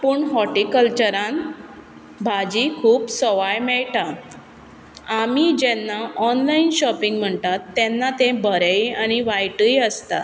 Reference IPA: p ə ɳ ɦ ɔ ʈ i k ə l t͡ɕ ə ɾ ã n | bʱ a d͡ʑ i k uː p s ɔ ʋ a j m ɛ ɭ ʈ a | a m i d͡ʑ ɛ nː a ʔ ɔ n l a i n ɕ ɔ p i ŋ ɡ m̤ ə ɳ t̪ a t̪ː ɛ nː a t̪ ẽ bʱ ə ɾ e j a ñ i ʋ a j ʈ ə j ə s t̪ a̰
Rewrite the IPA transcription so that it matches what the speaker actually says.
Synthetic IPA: p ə ɳ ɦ ɔ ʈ i k ə l t͡ɕ ə ɾ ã n | bʱ a d͡ʑ i kʰ uː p s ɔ ʋ a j m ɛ ɭ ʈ a | a m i d͡ʑ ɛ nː a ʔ ɔ n l a i n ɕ ɔ p i ŋ ɡ m̤ ə ɳ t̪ a t̪ː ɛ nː a t̪ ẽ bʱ ə ɾ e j a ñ i ʋ a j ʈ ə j ə s t̪ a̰